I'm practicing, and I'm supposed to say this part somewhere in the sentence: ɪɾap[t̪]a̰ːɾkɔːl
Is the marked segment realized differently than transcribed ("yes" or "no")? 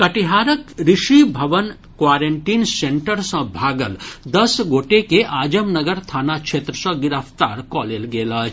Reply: no